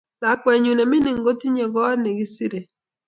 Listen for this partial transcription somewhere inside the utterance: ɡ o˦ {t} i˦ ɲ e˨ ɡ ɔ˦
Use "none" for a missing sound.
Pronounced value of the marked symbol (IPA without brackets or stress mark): t